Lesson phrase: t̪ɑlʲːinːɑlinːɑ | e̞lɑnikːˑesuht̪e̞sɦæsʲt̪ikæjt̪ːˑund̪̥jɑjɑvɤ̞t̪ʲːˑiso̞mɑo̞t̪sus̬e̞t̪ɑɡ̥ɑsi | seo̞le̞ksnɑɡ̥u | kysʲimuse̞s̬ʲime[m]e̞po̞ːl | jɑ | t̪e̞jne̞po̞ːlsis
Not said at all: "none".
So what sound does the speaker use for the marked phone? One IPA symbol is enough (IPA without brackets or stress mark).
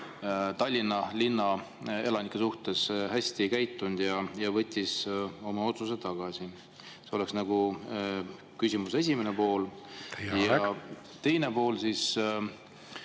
n